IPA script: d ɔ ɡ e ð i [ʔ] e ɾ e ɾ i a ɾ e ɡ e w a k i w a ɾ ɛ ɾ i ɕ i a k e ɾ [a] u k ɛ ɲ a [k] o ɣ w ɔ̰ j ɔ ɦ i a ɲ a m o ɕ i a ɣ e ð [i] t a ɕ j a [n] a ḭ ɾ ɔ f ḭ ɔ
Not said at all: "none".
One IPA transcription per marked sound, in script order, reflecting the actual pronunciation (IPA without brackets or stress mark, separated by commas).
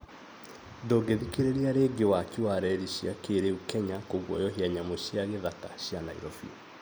k, e, k, a, n